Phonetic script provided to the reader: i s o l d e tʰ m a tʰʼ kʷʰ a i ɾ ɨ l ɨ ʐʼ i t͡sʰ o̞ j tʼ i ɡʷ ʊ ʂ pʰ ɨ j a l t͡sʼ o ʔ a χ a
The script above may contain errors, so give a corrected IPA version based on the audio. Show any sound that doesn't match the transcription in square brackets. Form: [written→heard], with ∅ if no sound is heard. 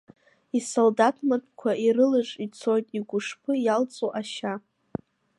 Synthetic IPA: i s o l d [e→a] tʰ m a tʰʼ kʷʰ a i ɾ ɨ l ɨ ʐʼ i t͡sʰ o̞ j tʼ i ɡʷ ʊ ʂ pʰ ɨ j a l t͡sʼ o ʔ a [χ→ʃ] a